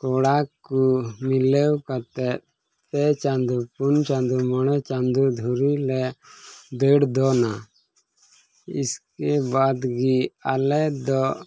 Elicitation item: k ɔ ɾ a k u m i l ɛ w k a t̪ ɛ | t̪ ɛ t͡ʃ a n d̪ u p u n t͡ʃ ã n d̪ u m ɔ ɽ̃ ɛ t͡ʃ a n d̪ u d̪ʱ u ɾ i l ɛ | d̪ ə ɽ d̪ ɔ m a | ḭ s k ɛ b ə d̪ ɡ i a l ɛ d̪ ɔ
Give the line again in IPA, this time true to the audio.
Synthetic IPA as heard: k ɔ ɽ a k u m i l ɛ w k a t̪ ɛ | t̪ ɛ t͡ʃ a n d̪ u p u n t͡ʃ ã n d̪ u m ɔ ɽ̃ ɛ t͡ʃ a n d̪ u d̪ʱ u ɾ i l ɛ | d̪ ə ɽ d̪ ɔ n a | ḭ s k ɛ b a d̪ ɡ i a l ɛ d̪ ɔ